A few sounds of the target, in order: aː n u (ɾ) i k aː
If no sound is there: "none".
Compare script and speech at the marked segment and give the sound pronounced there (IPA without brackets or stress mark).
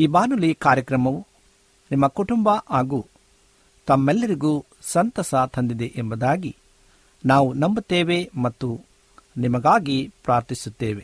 l